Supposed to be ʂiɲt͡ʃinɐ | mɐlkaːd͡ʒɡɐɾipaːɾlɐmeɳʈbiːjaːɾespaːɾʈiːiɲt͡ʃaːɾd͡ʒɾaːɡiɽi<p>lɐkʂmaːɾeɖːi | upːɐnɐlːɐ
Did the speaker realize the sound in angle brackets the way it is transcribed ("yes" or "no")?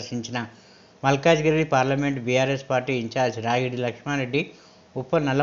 no